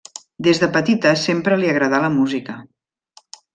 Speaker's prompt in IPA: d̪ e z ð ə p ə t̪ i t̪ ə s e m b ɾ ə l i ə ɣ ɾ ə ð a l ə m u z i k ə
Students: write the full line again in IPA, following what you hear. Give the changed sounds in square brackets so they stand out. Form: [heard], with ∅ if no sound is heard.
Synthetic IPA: d̪ e z ð ə p ə t̪ i t̪ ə s e m [p] ɾ ə l i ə ɣ ɾ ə ð a l ə m u z i k ə